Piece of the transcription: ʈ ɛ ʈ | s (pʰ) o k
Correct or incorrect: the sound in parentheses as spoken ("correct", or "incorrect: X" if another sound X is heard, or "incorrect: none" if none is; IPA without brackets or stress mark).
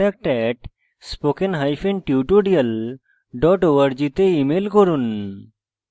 incorrect: p